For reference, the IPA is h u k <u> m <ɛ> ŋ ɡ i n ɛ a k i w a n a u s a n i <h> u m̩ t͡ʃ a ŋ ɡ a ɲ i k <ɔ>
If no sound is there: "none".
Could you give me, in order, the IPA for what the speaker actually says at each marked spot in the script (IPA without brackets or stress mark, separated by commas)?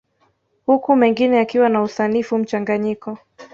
u, ɛ, f, ɔ